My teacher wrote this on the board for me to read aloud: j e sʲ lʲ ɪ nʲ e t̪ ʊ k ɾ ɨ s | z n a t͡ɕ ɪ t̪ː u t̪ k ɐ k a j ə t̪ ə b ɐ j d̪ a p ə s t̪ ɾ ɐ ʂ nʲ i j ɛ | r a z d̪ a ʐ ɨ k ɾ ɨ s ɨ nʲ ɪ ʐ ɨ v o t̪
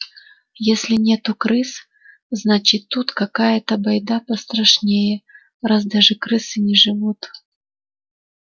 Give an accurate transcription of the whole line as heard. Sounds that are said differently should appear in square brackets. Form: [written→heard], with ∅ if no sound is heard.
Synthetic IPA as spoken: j e sʲ lʲ ɪ nʲ e t̪ ʊ k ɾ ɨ s | z n a t͡ɕ ɪ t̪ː u t̪ k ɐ k a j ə t̪ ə b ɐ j d̪ a p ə s t̪ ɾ ɐ ʂ nʲ [i→e] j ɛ | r a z d̪ a ʐ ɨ k ɾ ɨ s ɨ nʲ ɪ ʐ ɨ v [o→u] t̪